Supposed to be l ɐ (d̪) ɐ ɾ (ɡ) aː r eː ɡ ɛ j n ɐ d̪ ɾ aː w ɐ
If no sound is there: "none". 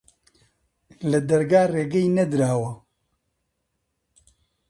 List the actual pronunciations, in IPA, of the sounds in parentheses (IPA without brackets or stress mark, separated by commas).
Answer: d̪, ɡ